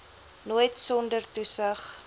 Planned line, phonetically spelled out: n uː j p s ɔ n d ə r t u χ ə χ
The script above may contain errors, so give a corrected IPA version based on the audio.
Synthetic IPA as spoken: n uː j t s ɔ n d ə r t u s ə χ